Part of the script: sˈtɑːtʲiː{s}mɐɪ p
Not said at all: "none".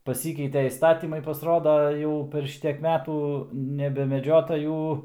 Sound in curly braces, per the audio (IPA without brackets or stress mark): none